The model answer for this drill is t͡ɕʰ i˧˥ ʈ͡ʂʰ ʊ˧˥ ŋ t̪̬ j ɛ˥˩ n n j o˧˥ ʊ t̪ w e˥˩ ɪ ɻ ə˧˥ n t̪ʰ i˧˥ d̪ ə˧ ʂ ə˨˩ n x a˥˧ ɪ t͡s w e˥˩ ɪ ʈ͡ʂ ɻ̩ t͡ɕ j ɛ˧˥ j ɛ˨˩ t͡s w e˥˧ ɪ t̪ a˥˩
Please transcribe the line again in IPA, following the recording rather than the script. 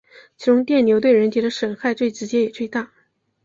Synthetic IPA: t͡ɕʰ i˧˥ ʈ͡ʂ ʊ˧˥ ŋ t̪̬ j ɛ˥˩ n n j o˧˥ ʊ t̪ w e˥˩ ɪ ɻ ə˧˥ n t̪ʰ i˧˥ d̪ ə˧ ʂ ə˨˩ n x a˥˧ ɪ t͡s w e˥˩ ɪ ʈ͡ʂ ɻ̩ t͡ɕ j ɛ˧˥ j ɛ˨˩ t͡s w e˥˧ ɪ t̪ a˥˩